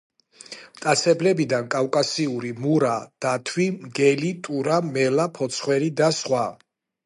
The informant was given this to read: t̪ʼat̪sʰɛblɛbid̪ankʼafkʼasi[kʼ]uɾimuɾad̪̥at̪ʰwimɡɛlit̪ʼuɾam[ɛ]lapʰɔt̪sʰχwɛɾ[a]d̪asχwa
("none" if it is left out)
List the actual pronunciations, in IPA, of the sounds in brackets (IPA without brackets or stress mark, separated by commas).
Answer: none, ɛ, i